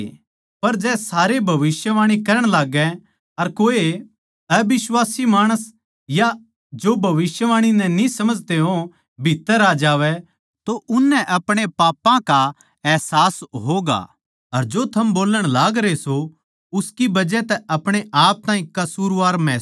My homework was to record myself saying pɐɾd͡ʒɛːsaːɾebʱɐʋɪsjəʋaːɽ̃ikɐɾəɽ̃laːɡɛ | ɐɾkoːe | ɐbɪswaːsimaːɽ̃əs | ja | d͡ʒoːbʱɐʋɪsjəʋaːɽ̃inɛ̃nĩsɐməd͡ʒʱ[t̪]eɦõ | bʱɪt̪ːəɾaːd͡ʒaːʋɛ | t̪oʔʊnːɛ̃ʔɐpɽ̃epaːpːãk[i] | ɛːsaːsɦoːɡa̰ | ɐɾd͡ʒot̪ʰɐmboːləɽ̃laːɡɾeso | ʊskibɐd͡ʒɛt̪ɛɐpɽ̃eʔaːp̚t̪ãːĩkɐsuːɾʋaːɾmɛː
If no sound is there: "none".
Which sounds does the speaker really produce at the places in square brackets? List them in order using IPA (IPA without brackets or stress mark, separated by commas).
t̪, a